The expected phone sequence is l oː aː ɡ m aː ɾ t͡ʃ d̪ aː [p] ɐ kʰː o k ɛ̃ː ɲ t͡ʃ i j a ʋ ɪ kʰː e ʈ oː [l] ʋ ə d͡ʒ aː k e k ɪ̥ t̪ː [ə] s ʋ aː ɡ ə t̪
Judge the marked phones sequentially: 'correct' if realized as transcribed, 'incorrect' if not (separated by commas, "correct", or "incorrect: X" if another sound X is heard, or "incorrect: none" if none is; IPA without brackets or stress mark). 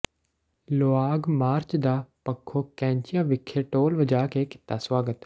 correct, correct, incorrect: a